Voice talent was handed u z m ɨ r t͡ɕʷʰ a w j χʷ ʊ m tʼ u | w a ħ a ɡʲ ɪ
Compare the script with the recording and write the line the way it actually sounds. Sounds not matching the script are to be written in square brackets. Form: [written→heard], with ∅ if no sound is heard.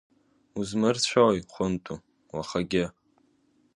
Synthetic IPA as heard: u z m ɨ r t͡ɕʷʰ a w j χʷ ʊ [m→n] tʼ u | w a [ħ→χ] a ɡʲ ɪ